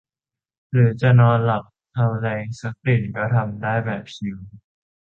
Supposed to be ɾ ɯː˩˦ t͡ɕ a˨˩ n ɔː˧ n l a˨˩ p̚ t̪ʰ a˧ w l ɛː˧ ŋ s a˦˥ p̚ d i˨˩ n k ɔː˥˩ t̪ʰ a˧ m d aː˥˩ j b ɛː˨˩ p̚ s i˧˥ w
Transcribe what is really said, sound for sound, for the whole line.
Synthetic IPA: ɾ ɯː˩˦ t͡ɕ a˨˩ n ɔː˧ n l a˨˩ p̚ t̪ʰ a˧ w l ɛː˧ ŋ s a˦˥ k̚ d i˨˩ n k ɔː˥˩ t̪ʰ a˧ m d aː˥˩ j b ɛː˨˩ p̚ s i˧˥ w

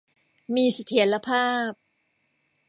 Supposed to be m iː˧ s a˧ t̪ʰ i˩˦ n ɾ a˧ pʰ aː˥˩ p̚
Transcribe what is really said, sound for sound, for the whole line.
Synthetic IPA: m iː˧ s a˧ t̪ʰ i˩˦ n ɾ a˧ pʰ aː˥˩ p̚

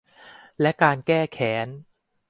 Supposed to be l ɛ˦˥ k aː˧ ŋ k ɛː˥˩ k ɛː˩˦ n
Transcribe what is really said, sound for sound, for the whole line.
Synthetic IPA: l ɛ˦˥ k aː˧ n k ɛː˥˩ kʰ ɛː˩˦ n

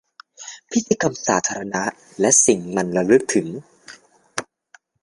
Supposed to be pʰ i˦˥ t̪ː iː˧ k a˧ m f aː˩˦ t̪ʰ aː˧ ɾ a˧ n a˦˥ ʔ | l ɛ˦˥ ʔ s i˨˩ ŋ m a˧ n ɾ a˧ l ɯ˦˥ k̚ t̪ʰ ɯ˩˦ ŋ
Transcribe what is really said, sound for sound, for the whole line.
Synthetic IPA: pʰ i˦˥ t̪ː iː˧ k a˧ m s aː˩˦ t̪ʰ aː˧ ɾ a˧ n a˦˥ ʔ | l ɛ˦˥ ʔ s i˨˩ ŋ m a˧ n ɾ a˧ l ɯ˦˥ k̚ t̪ʰ ɯ˩˦ ŋ

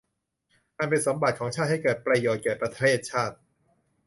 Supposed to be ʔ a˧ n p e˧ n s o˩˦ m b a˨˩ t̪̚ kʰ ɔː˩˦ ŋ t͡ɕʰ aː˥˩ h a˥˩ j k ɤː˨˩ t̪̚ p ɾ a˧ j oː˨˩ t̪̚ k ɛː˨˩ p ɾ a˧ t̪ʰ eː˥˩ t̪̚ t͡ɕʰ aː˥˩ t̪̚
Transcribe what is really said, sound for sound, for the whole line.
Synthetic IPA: ʔ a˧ n p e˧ n s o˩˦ m b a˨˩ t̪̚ kʰ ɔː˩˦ ŋ t͡ɕʰ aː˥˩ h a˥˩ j k ɤː˨˩ t̪̚ p ɾ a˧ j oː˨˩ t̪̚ k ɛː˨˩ p ɾ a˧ t̪ʰ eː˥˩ t̪̚ t͡ɕʰ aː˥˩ t̪̚

